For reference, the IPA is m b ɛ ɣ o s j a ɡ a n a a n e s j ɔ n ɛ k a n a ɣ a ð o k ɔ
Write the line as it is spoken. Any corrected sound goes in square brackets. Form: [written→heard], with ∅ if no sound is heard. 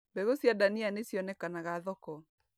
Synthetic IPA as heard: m b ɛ ɣ o s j a [ɡ→d] a n [a→i] a n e s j ɔ n ɛ k a n a ɣ a ð [o→ɔ] k ɔ